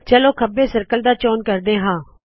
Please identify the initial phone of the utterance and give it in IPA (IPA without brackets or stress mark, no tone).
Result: t͡ʃ